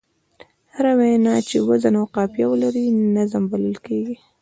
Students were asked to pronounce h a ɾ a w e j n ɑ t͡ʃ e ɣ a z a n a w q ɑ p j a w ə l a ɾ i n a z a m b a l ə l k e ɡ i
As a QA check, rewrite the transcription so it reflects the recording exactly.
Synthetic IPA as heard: h a ɾ a w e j n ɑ t͡ʃ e w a z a n a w q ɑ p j a w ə l a ɾ i n a z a m b a l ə l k e ɡ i